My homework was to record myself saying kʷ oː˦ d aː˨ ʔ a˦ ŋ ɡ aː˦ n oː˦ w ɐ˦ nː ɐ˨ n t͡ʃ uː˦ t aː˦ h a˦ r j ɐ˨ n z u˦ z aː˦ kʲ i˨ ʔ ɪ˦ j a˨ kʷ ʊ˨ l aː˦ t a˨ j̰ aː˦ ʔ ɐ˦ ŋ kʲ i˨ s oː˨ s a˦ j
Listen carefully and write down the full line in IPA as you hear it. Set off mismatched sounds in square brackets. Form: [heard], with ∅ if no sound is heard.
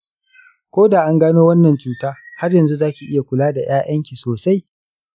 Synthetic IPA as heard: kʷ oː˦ d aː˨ ʔ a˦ ŋ ɡ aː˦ n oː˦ w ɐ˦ nː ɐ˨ n t͡ʃ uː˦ t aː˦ h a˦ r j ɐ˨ n z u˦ z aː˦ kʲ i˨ ʔ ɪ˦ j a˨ kʷ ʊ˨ l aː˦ [d] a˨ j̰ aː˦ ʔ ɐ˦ ŋ kʲ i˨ s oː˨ s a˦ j